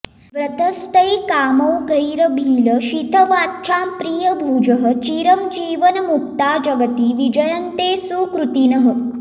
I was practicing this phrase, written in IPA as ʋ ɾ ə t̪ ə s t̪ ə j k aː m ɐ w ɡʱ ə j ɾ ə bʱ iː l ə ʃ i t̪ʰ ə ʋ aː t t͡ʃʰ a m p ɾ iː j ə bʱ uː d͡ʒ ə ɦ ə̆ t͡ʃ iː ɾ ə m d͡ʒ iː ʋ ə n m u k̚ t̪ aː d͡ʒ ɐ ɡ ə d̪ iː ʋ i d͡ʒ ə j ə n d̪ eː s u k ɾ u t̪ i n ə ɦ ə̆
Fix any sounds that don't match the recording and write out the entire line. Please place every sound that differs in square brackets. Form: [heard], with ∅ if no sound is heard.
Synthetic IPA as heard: ʋ ɾ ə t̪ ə s t̪ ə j k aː m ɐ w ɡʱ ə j ɾ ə bʱ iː l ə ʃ i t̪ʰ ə ʋ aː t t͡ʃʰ a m p ɾ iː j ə bʱ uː d͡ʒ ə ɦ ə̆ t͡ʃ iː ɾ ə m d͡ʒ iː ʋ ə n m u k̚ t̪ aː d͡ʒ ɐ ɡ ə [t̪] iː ʋ i d͡ʒ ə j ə n [t̪] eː s u k ɾ u t̪ i n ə ɦ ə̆